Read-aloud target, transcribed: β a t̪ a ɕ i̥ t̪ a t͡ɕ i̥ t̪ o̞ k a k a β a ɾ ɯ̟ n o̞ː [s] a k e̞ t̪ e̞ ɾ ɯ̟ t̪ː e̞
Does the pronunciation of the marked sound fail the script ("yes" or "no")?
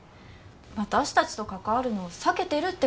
no